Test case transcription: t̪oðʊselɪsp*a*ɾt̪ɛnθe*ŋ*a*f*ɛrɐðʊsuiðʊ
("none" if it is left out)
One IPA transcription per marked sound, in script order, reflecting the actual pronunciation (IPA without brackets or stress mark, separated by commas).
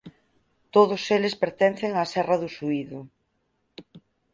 e, ŋ, s